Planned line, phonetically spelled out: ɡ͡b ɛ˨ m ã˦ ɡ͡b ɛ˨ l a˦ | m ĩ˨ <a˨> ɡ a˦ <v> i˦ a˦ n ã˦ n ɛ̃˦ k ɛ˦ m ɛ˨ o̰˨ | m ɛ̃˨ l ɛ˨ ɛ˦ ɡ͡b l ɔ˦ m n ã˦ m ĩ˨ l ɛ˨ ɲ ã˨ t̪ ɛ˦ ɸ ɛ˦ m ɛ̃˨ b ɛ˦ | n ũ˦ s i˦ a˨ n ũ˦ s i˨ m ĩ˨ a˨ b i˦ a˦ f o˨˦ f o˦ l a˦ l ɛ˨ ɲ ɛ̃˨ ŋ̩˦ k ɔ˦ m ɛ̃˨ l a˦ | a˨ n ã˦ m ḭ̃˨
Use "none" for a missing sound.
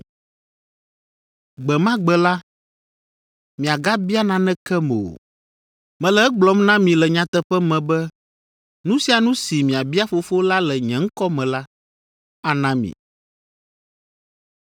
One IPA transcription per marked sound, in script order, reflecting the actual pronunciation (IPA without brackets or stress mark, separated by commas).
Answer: a˨, b